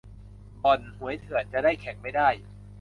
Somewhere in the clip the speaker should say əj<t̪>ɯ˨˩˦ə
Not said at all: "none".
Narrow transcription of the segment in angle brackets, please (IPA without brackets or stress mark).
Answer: t̪ʰ